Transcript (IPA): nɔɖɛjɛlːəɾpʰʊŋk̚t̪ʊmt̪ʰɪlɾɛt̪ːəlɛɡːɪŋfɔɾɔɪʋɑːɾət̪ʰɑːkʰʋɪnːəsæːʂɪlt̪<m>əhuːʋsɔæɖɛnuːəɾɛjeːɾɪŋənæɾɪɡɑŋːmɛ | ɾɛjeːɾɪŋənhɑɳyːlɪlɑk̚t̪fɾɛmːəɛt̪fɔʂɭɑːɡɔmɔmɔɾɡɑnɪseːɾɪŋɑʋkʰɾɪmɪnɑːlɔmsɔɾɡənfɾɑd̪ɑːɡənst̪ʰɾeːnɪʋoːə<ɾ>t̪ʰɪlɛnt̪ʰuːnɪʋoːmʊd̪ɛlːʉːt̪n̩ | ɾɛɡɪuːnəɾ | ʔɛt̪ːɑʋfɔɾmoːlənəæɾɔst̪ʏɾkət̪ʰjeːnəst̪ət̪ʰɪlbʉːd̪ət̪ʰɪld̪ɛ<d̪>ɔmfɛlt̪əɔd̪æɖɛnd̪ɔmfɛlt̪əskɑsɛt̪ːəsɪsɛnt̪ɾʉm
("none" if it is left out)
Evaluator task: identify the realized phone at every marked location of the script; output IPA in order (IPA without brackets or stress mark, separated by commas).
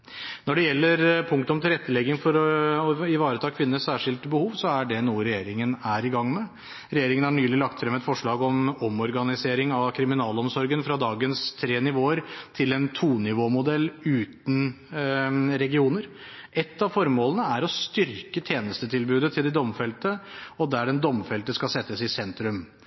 b, ɾ, d̪